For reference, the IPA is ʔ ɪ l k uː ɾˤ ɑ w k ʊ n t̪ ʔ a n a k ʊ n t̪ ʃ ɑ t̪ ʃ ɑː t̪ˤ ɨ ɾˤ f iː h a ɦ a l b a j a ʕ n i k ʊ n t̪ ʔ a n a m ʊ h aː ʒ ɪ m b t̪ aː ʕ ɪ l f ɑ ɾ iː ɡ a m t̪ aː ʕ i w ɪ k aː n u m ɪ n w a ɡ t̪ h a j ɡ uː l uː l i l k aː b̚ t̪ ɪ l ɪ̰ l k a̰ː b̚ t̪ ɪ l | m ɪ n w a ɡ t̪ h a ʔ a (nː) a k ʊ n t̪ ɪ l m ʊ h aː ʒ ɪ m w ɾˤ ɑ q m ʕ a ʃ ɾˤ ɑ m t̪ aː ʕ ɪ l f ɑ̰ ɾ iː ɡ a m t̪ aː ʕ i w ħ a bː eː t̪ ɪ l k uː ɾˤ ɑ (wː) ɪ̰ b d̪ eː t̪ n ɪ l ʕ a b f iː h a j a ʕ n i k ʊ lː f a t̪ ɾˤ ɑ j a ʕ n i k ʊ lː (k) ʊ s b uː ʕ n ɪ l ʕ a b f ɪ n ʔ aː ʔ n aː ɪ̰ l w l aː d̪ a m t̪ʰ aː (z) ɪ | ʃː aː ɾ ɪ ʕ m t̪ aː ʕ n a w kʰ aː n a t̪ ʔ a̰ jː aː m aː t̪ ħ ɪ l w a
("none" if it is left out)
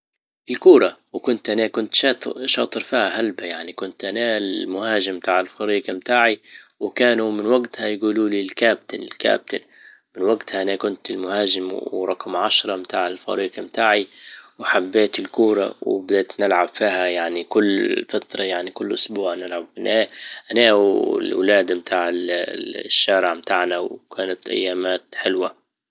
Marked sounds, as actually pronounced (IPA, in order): n, w, ʔ, ʕ

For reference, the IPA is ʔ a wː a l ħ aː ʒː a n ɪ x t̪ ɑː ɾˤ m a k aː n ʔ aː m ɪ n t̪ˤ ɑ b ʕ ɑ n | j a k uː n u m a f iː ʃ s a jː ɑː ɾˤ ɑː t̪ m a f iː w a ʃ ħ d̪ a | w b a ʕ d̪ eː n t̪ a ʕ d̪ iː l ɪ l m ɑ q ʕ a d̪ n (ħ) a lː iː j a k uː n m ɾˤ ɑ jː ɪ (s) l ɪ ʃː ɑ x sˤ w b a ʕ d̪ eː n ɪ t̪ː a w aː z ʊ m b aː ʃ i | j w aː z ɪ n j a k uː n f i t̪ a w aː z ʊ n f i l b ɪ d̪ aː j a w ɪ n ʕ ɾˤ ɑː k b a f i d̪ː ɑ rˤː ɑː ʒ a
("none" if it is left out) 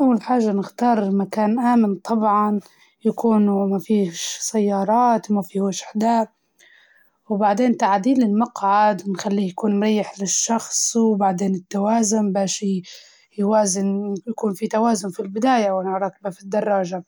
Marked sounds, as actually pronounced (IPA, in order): x, ħ

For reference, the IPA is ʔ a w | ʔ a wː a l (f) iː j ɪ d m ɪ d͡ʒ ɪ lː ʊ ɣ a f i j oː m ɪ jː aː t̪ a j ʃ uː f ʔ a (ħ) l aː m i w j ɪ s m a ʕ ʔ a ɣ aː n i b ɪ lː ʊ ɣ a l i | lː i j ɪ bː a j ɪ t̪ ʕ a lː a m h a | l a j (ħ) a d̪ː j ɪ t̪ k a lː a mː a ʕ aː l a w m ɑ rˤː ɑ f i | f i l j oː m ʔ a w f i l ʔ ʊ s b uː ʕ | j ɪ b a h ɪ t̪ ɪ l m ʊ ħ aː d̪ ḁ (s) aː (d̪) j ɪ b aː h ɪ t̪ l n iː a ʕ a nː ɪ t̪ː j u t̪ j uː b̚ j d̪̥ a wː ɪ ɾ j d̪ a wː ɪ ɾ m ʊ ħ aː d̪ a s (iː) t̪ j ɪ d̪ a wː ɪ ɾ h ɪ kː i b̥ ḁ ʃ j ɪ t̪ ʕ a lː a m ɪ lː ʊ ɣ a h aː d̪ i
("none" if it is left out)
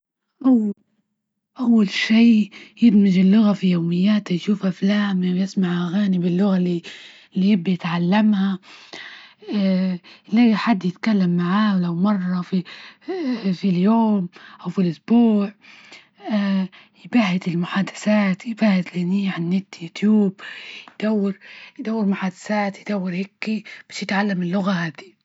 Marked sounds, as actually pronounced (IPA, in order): ʃ, f, ħ, s, t̪, aː

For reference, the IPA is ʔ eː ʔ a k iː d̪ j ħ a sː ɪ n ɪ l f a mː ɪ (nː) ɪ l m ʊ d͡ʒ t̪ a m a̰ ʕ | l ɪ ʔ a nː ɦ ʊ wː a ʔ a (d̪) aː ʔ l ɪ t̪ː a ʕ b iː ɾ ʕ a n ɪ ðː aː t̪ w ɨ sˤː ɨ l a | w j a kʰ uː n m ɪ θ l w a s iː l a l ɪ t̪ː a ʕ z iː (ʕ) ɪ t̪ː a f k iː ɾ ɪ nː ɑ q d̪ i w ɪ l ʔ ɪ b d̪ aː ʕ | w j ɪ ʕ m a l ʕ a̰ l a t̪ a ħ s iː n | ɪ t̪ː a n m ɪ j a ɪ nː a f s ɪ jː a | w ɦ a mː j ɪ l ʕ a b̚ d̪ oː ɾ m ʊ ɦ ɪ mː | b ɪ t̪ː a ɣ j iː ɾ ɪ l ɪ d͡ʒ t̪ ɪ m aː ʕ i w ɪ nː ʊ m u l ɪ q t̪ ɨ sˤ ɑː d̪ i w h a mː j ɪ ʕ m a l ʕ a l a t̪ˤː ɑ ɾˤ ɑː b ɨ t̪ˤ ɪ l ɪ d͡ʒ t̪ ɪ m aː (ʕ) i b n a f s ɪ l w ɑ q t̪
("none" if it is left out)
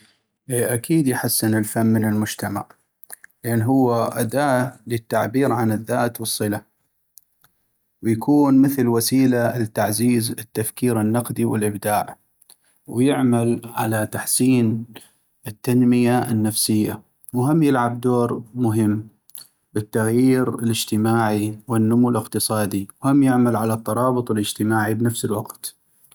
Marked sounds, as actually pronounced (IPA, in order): n, d̪, z, ʕ

